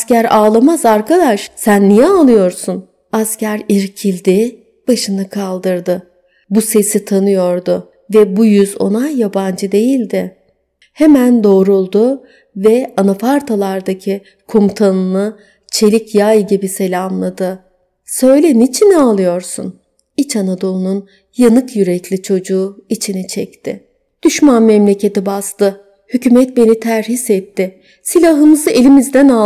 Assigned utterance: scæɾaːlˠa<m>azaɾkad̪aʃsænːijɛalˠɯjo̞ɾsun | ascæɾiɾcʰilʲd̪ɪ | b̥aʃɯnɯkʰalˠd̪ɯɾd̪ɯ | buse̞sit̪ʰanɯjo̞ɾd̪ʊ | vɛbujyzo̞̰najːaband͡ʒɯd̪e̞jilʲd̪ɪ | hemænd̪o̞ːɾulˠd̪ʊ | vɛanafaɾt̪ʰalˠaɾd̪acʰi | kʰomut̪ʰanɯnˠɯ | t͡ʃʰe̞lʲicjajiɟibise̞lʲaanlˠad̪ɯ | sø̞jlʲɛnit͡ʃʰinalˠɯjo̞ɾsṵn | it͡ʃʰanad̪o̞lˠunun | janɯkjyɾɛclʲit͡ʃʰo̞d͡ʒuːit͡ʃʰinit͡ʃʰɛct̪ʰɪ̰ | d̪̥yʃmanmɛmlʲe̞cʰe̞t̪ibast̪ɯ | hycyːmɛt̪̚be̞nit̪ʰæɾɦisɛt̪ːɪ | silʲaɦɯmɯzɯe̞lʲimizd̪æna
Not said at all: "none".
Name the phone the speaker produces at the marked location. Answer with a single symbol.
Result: m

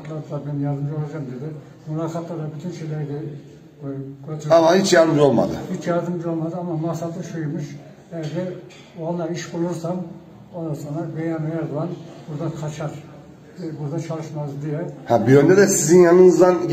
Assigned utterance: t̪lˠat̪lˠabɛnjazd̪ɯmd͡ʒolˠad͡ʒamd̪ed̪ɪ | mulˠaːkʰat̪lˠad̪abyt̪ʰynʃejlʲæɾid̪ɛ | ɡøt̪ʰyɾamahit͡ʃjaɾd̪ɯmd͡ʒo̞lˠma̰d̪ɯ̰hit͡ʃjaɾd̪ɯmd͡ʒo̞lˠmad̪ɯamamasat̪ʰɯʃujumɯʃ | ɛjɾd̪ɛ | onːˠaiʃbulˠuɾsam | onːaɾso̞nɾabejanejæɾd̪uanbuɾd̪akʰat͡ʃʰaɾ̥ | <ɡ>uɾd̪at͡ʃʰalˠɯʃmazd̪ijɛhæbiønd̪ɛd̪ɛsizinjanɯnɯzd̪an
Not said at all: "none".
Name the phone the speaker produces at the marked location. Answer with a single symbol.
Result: b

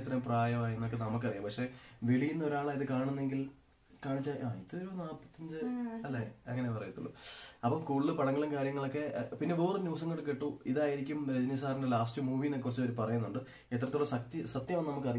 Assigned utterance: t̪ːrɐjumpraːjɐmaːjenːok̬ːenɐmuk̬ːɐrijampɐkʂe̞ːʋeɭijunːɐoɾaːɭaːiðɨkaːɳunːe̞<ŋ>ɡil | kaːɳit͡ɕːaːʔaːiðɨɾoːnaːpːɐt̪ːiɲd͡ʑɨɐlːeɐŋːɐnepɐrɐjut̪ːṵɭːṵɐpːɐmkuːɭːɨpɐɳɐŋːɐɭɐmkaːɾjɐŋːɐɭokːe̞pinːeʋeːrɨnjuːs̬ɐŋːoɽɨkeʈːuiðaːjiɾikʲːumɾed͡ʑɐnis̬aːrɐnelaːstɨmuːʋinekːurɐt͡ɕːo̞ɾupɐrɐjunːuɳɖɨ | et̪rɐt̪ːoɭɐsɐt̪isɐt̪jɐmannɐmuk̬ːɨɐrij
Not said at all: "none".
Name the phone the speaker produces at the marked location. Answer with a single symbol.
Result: ŋ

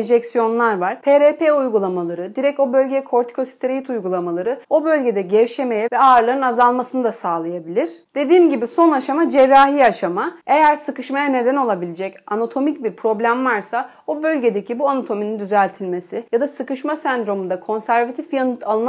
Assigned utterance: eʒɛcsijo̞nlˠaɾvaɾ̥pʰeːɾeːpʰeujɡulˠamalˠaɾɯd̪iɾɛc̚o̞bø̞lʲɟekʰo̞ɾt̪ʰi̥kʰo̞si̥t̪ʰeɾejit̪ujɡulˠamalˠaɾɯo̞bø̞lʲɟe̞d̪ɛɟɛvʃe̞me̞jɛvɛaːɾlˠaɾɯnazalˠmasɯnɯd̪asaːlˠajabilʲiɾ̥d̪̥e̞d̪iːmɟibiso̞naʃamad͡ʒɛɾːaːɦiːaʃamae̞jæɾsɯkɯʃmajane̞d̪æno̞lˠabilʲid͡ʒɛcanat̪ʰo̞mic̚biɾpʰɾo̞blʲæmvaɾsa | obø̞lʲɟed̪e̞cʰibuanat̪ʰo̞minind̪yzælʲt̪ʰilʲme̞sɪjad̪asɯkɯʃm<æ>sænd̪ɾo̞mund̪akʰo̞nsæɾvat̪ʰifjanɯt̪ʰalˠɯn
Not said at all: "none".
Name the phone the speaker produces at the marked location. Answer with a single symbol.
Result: a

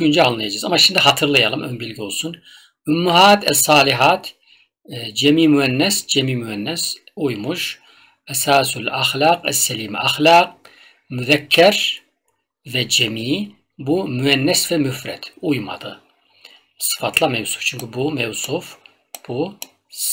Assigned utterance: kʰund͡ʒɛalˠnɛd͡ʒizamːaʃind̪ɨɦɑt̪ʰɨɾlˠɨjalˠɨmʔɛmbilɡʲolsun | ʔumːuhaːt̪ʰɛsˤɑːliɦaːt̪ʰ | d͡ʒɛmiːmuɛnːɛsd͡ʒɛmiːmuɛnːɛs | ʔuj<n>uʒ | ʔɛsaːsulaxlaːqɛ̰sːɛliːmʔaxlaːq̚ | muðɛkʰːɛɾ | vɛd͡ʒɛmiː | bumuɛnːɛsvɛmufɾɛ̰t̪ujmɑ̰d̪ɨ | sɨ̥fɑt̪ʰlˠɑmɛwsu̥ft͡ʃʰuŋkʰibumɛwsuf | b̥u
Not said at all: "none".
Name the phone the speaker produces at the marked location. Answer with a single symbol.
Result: m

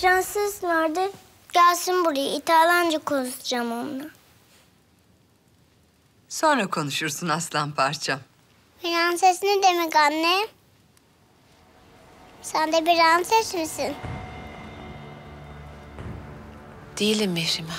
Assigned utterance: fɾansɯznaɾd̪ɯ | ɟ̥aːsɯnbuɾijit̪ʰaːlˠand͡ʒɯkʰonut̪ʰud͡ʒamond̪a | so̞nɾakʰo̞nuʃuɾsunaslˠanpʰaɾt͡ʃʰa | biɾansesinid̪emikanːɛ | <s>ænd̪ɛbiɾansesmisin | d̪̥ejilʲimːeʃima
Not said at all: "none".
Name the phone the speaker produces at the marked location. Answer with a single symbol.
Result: s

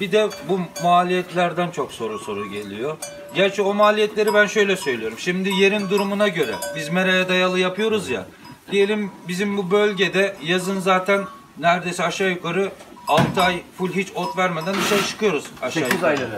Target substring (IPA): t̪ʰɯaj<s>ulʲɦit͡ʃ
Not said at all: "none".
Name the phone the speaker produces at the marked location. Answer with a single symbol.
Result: f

